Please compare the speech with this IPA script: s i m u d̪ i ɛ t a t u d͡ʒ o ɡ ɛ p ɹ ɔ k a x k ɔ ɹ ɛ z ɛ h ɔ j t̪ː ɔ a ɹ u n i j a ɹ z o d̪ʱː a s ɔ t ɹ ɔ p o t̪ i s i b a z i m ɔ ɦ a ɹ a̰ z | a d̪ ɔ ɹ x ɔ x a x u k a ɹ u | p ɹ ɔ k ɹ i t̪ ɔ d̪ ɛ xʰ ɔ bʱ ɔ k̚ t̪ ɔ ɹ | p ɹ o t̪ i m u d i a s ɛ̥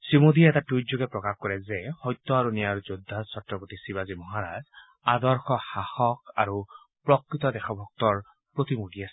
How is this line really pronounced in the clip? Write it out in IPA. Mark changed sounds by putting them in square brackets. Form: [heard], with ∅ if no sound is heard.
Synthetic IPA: s i m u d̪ i ɛ t a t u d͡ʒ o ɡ ɛ p ɹ ɔ k a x k ɔ ɹ ɛ z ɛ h ɔ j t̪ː ɔ a ɹ u n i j a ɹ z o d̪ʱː a s ɔ t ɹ ɔ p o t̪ i s i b a z i m ɔ ɦ a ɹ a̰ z | a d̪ ɔ ɹ x ɔ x a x [ɔ] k a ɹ u | p ɹ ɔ k ɹ i t̪ ɔ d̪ ɛ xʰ ɔ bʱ ɔ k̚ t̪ ɔ ɹ | p ɹ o t̪ i m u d i a s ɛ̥